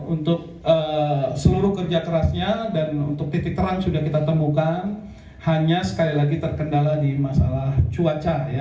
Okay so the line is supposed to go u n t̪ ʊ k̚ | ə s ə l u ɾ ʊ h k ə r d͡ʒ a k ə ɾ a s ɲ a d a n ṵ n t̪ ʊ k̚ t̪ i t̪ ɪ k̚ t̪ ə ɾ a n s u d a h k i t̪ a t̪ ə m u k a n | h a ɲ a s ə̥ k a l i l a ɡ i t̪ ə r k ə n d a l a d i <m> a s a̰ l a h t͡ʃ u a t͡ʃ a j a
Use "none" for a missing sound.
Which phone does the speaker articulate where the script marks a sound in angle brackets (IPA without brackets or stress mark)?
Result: m